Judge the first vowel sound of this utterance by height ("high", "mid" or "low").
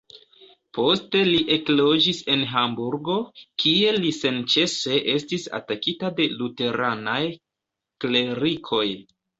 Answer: mid